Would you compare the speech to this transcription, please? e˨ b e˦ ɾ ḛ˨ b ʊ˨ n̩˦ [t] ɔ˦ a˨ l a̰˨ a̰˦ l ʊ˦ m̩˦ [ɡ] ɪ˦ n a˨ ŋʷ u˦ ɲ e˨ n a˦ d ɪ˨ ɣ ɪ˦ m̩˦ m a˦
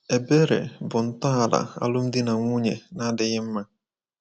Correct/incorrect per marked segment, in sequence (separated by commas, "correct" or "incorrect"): correct, incorrect